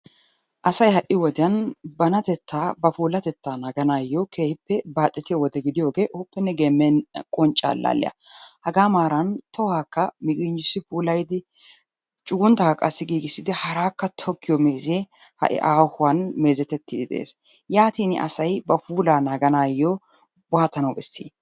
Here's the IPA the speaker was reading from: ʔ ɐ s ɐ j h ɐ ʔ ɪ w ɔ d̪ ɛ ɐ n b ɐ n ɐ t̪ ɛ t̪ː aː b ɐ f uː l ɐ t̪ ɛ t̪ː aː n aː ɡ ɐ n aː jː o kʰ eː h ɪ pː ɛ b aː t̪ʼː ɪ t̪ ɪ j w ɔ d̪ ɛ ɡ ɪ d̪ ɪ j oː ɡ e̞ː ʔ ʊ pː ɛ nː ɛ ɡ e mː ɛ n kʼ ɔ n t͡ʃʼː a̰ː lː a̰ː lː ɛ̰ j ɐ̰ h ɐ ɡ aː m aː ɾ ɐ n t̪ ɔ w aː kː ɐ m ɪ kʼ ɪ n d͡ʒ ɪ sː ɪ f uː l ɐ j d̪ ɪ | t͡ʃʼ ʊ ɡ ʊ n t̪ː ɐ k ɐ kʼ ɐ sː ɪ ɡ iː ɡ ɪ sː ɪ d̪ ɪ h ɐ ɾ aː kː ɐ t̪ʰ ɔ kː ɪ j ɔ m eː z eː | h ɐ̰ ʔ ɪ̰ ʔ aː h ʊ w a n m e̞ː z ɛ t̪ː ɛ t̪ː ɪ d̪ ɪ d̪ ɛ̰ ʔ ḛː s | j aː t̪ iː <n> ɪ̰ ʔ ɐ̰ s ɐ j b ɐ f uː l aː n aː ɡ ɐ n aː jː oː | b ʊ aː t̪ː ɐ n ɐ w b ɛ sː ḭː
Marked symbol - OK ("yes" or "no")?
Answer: yes